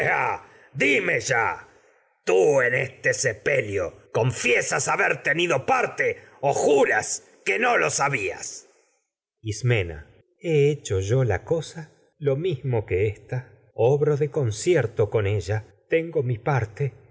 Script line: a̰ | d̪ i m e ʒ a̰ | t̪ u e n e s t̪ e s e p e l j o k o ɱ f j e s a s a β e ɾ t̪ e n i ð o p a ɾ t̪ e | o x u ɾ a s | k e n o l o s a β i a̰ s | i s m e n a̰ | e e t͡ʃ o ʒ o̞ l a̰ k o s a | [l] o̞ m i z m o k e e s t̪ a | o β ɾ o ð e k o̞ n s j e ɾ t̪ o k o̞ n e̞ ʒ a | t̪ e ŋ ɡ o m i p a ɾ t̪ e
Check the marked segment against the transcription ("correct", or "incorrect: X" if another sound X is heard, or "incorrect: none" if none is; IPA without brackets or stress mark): correct